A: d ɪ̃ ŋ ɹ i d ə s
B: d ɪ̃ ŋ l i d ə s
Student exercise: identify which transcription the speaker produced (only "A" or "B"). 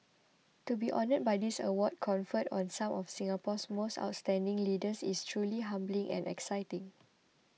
B